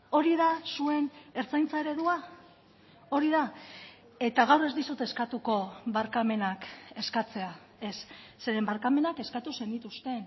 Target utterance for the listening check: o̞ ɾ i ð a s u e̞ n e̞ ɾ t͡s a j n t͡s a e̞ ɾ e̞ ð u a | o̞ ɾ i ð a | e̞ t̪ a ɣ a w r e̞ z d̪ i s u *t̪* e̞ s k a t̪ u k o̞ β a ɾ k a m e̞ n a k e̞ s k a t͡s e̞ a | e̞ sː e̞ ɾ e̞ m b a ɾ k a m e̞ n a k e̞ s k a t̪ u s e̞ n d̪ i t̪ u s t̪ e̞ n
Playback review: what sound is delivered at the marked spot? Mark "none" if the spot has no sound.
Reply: t̪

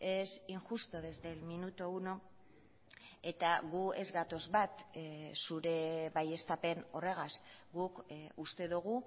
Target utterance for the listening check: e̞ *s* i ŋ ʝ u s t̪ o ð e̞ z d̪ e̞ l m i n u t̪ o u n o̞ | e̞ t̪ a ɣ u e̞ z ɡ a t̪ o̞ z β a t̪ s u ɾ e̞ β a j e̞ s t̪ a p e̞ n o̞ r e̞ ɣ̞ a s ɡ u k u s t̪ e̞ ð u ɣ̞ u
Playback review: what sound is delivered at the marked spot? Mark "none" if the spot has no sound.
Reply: s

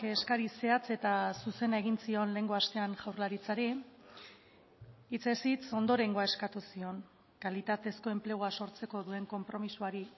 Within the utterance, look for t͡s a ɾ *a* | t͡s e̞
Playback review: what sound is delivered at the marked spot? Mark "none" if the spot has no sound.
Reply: i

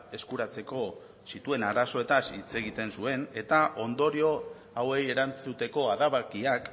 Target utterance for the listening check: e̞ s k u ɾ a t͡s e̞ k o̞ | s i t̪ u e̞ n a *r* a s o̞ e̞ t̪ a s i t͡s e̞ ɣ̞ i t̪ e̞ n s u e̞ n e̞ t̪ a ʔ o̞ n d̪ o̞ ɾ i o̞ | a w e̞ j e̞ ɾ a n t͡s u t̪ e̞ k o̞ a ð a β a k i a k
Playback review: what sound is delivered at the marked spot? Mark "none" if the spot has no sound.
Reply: ɾ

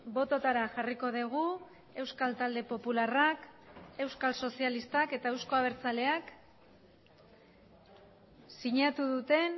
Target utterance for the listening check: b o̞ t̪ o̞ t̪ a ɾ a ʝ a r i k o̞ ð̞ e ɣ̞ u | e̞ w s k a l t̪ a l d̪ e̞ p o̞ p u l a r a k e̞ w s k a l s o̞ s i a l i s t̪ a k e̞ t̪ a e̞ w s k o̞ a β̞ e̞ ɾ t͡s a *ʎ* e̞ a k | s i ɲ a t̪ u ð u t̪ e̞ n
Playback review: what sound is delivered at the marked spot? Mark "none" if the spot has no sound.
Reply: l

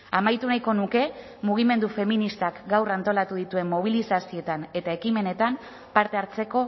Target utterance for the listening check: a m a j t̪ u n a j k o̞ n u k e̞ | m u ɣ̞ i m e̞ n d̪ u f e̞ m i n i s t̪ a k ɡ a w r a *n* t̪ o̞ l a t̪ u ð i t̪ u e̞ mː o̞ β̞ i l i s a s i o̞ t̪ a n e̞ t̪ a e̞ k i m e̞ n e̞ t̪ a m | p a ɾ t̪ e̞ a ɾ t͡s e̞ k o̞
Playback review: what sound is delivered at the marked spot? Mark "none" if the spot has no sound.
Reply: n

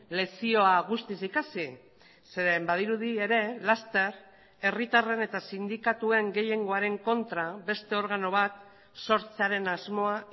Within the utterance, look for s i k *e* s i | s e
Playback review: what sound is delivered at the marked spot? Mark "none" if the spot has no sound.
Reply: a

